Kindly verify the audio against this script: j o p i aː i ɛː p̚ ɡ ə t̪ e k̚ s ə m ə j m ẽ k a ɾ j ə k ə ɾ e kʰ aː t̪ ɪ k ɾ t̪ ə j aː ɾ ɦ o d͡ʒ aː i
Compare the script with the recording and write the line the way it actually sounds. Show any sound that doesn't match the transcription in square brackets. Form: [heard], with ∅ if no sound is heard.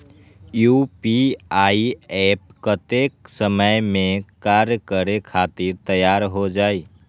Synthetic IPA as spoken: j [u] p i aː i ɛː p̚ [k] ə t̪ e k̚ s ə m ə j m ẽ k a ɾ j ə k ə ɾ e kʰ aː t̪ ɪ [∅] ɾ t̪ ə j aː ɾ ɦ o d͡ʒ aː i